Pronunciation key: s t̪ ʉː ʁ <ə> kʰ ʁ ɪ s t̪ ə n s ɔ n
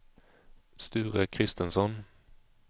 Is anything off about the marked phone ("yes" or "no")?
no